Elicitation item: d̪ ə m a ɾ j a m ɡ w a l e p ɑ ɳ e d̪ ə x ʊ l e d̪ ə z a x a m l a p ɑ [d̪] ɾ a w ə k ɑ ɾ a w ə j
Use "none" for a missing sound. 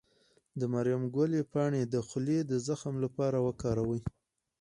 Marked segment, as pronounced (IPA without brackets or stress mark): none